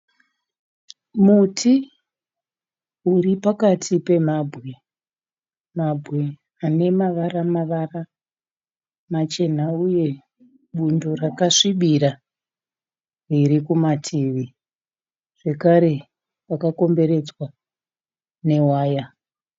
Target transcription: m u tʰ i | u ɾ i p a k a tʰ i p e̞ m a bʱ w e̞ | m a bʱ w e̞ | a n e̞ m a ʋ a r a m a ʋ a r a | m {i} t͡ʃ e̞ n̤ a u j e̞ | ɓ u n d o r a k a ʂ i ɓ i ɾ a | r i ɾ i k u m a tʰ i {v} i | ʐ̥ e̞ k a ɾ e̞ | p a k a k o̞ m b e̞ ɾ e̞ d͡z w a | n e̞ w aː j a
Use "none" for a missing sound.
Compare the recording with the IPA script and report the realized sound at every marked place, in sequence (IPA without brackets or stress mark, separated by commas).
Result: a, ʋ